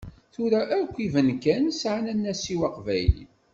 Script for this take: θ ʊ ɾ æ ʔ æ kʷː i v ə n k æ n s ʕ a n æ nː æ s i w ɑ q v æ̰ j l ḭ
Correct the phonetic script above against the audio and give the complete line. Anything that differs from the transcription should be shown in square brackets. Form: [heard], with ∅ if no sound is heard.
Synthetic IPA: θ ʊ ɾ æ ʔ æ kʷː i v ə n k æ n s ʕ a n æ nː æ s i w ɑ q v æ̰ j l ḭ